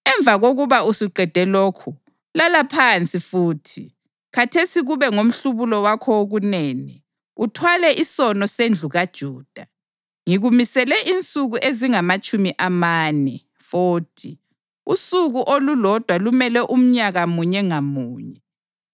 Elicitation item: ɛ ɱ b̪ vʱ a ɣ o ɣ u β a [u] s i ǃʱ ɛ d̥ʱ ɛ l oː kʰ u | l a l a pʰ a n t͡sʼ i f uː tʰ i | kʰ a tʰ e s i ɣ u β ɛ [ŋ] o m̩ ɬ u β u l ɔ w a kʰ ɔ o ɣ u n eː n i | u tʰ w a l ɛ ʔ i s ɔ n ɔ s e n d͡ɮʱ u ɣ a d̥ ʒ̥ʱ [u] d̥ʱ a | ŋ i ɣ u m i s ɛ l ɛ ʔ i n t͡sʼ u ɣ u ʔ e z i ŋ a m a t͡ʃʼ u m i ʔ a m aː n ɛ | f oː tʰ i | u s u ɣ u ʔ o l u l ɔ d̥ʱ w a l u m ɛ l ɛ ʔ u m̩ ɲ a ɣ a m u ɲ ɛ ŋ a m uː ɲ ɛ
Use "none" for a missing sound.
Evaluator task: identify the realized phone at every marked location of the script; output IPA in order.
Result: u, ŋ, uː

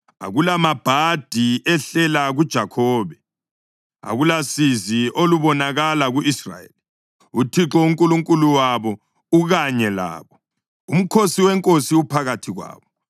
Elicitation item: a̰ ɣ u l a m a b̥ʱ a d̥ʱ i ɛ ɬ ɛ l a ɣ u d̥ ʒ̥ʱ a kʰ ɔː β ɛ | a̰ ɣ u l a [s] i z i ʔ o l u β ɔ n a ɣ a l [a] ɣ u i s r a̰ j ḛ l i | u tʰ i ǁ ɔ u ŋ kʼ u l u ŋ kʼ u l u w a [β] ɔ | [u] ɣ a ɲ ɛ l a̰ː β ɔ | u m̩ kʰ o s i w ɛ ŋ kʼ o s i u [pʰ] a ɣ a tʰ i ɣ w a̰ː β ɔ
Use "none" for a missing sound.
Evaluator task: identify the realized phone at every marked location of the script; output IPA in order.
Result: s, a, β, u, pʰ

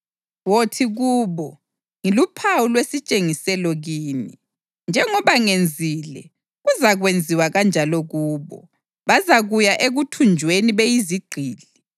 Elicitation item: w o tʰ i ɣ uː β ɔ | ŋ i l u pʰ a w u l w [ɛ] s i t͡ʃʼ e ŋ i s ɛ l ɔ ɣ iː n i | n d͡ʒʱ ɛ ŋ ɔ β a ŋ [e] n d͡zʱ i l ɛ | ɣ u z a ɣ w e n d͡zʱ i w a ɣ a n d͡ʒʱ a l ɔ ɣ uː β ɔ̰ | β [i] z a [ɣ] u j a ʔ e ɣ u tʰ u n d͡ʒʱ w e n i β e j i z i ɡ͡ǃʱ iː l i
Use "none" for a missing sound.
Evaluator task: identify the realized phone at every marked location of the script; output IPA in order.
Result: e, e, a, ɣ

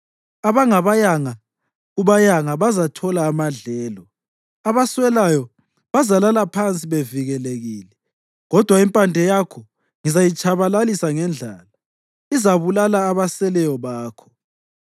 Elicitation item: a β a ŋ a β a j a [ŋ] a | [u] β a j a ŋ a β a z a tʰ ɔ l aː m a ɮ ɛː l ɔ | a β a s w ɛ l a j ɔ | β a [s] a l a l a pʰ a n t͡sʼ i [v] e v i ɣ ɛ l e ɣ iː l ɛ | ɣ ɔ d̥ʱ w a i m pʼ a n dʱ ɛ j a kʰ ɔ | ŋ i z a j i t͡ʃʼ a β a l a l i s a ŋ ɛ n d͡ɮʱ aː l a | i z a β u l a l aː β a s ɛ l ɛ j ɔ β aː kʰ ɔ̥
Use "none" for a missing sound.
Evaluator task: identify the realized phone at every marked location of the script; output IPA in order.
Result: ŋ, u, z, β

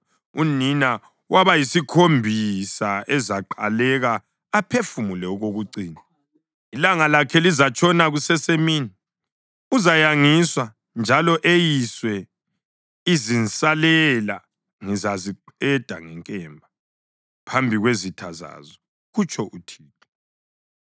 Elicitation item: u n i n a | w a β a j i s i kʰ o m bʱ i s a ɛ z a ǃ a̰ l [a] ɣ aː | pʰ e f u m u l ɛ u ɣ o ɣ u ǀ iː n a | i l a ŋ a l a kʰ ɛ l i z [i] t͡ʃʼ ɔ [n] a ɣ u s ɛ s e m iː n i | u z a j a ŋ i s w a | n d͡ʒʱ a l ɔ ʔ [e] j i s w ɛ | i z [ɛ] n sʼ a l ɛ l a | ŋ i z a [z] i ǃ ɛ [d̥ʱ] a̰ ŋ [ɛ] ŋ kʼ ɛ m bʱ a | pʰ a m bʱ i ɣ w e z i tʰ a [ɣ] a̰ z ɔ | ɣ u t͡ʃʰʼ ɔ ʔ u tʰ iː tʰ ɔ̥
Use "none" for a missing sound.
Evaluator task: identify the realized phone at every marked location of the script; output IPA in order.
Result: ɛ, a, n, e, i, z, d̥ʱ, ɛ, z

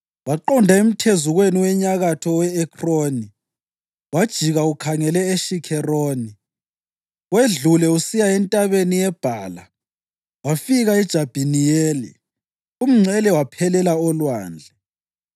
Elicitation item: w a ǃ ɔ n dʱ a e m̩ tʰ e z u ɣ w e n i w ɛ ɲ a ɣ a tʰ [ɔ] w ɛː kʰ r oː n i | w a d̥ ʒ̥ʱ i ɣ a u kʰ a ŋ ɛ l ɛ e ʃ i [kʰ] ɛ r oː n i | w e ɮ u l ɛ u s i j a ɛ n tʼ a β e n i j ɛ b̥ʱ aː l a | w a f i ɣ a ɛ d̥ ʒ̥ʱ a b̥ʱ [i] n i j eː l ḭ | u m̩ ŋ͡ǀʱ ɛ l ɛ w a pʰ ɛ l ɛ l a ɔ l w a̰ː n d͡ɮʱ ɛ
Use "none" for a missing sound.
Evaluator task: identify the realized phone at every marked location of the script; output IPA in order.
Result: ɔ, kʰ, i

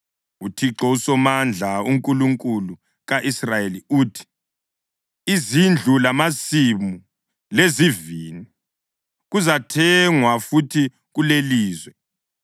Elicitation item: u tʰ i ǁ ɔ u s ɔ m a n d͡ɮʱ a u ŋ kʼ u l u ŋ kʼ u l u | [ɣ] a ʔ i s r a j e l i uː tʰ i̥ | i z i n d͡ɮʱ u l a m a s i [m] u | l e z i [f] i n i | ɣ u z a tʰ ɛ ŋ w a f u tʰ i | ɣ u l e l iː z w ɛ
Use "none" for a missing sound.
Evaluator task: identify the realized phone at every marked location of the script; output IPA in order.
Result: ɣ, m, v

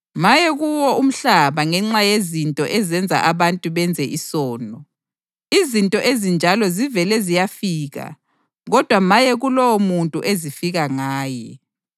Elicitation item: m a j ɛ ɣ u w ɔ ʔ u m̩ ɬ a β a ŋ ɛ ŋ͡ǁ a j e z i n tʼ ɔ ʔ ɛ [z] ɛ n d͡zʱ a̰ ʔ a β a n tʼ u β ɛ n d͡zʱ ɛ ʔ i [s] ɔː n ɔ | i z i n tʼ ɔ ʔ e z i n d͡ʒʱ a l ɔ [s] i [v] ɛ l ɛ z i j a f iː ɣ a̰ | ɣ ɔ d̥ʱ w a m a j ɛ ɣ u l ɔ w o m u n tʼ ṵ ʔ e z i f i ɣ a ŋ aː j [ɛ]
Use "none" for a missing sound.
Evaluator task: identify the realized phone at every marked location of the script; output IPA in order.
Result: z, s, z, v, ɛ

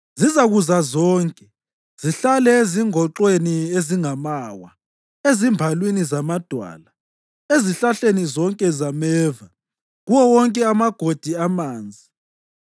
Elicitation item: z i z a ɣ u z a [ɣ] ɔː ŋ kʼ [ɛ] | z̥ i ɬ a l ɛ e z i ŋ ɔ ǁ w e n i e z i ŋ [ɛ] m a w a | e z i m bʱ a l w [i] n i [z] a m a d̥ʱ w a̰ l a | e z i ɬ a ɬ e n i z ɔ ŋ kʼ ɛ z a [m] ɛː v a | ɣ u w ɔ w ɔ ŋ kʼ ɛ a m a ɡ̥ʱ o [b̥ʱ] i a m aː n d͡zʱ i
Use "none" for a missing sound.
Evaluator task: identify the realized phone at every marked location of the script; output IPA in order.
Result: z, ɛ, a, i, z, m, d̥ʱ

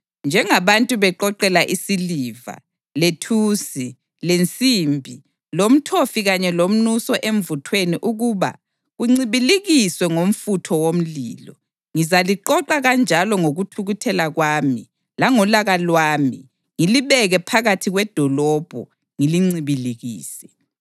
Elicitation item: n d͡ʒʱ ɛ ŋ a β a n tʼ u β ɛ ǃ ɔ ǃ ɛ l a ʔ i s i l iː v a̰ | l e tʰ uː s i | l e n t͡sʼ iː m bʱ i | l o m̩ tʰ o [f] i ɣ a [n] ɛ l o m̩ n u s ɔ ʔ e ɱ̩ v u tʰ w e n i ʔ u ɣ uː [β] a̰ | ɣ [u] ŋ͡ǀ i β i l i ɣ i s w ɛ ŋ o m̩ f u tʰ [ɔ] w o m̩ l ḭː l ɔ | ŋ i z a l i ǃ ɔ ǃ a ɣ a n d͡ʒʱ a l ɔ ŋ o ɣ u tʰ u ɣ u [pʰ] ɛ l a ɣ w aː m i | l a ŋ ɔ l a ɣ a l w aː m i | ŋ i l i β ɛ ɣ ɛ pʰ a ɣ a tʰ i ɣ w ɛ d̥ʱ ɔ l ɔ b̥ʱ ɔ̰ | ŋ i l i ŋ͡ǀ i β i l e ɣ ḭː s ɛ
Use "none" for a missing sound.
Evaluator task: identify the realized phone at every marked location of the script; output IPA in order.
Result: f, ɲ, β, u, ɔ, tʰ

